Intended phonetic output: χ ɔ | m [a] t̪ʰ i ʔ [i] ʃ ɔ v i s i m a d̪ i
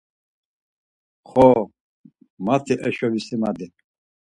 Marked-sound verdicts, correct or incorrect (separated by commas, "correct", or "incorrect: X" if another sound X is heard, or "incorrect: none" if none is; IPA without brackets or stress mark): correct, incorrect: ɛ